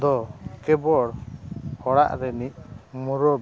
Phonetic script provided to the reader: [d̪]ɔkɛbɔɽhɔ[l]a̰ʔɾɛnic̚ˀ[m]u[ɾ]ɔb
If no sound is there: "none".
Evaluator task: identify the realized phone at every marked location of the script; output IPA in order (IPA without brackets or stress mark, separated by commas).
d̪, ɽ, m, ɾ